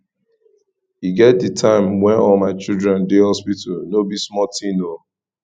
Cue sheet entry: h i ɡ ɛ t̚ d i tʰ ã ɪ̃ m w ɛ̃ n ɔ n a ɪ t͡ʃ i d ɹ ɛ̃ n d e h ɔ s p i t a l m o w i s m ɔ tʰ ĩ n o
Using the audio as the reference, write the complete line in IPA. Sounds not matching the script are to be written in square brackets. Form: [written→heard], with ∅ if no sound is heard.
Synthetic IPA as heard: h i ɡ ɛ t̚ d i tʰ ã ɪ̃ m w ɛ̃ n ɔ [n→m] a ɪ t͡ʃ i d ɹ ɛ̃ n d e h ɔ s p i t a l [m→n] o [w→b] i s m ɔ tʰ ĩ n o